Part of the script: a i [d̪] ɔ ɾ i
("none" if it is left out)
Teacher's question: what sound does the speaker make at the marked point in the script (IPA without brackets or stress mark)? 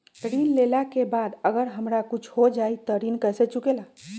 t̪